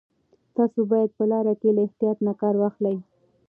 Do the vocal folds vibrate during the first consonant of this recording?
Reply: no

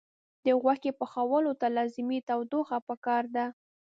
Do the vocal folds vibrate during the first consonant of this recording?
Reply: yes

